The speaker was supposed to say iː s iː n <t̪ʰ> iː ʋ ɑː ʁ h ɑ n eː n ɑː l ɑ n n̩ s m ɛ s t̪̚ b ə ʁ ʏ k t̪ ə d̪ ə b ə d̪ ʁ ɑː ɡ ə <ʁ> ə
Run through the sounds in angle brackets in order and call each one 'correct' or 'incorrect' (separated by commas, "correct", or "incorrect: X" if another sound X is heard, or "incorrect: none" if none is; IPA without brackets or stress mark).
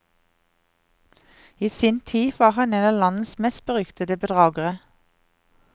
correct, correct